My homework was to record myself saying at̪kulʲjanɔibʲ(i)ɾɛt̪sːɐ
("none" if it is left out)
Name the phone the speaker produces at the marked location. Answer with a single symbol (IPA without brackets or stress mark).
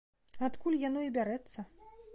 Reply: a